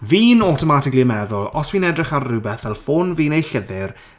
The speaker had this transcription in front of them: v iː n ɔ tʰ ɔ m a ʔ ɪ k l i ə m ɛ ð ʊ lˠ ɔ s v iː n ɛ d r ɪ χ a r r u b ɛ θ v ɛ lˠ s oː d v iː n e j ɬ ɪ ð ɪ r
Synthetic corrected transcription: v iː n ɔ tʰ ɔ m a t ɪ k l i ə m ɛ ð ʊ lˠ ɔ s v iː n ɛ d r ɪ χ a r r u b ɛ θ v ɛ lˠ f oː n v iː n e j ɬ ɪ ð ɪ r